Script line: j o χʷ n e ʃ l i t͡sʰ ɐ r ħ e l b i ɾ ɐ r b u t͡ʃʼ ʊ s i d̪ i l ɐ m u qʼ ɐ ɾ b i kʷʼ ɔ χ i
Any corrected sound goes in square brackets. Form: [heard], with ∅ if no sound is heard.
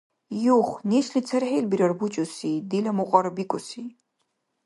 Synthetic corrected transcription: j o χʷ n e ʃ l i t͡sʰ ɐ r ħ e l b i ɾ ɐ r b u t͡ʃʼ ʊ s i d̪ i l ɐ m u qʼ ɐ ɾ b i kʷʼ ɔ [s] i